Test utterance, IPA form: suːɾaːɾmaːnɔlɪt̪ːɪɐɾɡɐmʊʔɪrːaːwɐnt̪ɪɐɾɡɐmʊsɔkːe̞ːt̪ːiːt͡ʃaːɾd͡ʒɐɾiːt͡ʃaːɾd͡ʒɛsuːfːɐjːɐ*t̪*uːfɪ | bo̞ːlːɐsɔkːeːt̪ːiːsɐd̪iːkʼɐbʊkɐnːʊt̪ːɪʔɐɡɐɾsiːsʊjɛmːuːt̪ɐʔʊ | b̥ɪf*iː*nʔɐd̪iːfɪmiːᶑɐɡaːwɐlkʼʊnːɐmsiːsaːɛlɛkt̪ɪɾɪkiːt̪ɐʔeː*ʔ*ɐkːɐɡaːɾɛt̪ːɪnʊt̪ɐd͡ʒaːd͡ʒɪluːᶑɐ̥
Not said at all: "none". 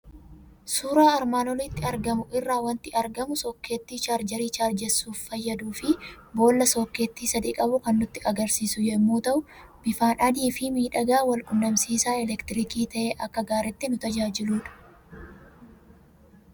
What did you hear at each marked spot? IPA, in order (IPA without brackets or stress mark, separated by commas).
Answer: d̪, aː, ʔ